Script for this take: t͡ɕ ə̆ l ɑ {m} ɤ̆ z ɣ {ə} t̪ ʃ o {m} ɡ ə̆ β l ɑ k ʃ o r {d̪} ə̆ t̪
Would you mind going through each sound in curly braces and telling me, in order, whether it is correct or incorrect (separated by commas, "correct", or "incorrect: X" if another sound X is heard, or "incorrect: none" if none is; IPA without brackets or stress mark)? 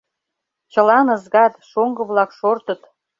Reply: incorrect: n, incorrect: ɑ, incorrect: ŋ, incorrect: t̪